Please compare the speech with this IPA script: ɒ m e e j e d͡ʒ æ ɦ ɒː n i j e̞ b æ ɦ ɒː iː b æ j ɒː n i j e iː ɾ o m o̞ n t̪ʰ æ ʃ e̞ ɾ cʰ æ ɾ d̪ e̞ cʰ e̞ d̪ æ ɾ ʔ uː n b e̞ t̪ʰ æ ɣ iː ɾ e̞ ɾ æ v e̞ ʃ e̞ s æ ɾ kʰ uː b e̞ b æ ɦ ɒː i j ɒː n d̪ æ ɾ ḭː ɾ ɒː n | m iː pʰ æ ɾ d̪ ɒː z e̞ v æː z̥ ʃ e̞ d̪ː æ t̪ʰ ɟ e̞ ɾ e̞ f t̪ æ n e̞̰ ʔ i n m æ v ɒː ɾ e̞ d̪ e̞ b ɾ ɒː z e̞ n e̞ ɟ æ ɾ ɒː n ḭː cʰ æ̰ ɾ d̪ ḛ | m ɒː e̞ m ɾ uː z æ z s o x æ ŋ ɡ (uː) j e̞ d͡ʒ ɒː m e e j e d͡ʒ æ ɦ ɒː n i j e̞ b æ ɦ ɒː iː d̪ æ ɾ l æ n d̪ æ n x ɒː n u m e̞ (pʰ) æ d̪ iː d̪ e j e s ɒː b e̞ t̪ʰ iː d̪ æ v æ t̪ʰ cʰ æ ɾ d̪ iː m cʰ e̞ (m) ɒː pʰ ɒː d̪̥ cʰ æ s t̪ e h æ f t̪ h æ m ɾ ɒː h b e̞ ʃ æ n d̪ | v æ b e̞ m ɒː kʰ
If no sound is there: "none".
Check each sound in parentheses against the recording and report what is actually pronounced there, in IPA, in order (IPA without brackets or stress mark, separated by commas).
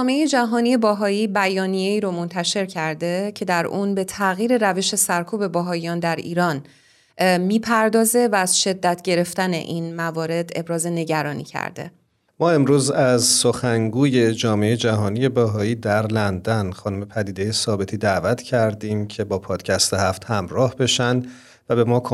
uː, pʰ, b